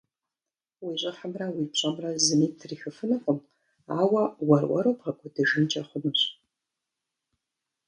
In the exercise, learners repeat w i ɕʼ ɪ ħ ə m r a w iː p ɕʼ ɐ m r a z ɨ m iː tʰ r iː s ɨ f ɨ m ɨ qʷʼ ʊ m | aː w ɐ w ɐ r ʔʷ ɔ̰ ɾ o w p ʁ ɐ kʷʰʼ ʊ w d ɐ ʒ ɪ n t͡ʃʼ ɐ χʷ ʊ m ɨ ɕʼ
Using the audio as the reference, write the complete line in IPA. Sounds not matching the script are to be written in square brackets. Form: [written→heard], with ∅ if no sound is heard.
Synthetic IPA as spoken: w i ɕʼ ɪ ħ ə m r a w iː p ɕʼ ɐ m r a z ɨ m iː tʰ r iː [s→x] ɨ f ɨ [m→n] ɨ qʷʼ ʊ m | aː w ɐ w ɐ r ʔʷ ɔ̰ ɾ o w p ʁ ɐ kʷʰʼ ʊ [w→∅] d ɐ ʒ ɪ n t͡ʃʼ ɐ χʷ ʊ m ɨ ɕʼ